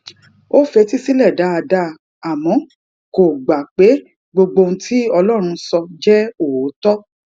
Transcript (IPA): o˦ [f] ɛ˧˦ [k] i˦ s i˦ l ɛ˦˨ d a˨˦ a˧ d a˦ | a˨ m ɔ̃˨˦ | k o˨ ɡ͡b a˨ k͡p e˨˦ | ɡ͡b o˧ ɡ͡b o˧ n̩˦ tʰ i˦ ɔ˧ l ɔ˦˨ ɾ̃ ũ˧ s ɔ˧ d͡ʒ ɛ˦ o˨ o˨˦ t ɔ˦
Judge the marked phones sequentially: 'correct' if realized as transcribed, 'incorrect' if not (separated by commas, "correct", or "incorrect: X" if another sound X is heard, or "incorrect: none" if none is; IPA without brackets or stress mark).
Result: correct, incorrect: t